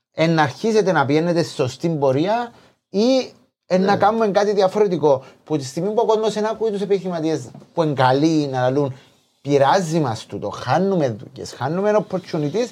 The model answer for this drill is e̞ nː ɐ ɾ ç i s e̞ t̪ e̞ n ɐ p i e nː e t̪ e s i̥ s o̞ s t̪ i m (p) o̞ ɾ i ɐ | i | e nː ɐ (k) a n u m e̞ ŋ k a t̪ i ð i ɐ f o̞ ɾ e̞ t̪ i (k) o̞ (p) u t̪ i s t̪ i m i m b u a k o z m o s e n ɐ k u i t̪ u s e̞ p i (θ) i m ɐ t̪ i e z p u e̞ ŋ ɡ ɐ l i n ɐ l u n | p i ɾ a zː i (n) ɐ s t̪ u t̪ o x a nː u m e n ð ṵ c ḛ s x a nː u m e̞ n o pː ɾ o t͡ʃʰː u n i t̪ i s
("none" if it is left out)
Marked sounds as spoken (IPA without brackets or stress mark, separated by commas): b, k, k, p, θ, m